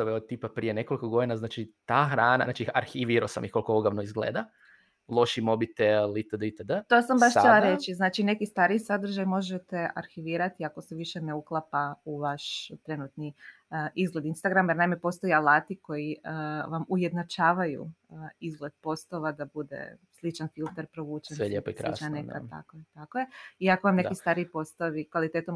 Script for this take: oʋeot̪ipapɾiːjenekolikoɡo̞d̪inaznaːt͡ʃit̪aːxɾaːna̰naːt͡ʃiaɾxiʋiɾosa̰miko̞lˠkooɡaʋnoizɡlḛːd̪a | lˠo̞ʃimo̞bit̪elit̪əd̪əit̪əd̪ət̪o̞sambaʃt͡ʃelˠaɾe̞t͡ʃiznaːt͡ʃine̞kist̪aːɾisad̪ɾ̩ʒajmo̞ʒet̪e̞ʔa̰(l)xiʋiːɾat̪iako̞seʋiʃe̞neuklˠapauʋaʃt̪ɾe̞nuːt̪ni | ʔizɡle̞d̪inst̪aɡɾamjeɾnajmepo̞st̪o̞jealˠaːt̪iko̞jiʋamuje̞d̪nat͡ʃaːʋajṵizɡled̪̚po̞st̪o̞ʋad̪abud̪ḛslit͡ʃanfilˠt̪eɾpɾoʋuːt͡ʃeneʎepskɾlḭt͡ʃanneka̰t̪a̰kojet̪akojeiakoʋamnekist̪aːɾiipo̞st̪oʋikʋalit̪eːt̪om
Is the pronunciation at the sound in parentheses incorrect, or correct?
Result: incorrect